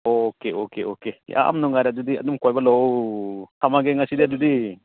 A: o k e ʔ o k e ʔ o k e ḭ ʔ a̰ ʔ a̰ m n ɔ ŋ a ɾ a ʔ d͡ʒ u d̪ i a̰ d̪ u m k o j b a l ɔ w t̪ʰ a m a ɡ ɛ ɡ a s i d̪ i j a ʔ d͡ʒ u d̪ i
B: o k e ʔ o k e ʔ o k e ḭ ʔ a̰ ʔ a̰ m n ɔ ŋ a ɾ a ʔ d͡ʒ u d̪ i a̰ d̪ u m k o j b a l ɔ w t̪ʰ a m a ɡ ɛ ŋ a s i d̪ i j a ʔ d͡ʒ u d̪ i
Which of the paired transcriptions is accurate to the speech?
B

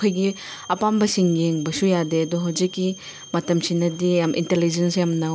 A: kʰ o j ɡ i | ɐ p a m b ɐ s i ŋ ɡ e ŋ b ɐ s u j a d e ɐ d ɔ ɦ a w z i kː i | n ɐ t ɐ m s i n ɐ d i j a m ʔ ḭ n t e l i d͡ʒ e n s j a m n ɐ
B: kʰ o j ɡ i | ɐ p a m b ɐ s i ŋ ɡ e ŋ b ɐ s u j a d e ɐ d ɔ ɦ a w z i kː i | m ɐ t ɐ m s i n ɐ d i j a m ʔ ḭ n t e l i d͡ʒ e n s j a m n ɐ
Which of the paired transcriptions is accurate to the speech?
B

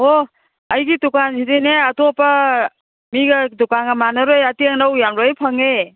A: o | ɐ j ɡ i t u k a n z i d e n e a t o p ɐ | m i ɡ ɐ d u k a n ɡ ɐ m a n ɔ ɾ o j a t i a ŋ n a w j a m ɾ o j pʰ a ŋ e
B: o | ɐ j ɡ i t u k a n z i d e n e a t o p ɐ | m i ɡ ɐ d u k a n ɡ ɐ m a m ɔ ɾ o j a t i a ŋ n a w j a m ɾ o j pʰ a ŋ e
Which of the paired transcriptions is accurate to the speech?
A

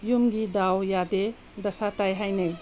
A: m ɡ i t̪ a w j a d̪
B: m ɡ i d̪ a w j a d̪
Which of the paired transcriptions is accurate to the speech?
B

